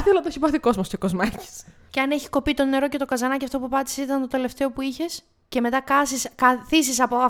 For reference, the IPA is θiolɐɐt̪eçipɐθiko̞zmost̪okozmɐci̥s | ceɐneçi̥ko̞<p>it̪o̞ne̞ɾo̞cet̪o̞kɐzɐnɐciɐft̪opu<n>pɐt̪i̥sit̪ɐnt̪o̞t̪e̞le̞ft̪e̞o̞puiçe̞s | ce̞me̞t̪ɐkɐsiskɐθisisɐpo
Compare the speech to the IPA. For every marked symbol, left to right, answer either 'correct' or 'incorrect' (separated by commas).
correct, incorrect